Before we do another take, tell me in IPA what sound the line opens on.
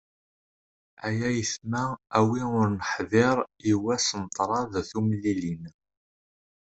æ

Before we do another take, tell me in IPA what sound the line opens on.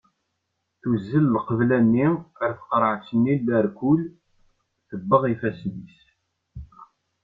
θ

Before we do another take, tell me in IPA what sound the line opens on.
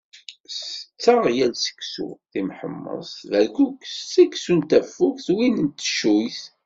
s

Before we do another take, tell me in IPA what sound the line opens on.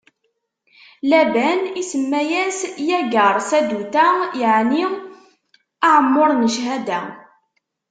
l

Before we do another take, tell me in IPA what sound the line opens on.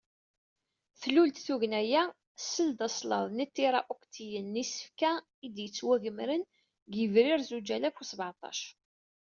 θ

